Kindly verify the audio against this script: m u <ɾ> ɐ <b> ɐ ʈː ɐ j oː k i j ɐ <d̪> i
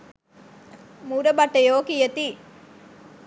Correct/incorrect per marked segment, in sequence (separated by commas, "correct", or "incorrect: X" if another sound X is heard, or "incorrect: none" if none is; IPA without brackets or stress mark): correct, correct, incorrect: t̪